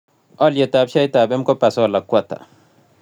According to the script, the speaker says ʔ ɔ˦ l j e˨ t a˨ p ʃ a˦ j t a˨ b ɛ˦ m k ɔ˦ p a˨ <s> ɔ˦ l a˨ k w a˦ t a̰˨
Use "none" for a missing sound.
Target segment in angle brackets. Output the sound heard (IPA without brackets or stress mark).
s